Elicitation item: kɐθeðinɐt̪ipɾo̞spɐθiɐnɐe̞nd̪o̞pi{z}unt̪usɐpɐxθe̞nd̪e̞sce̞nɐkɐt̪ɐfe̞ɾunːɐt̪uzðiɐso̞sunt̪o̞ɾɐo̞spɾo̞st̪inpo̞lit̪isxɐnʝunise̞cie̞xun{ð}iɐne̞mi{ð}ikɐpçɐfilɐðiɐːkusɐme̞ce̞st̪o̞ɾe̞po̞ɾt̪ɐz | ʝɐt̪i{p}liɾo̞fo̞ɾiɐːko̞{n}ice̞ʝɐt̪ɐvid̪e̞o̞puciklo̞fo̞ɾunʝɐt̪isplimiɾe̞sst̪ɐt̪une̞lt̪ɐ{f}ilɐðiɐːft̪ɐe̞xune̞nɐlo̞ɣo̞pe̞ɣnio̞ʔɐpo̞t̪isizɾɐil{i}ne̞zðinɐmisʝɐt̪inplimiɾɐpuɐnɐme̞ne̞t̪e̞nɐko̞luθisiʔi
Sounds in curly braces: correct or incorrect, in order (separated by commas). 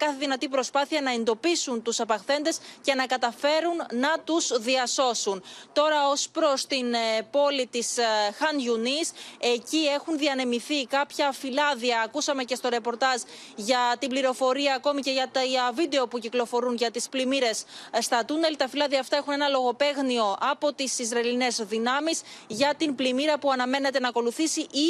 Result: incorrect, correct, incorrect, incorrect, incorrect, correct, correct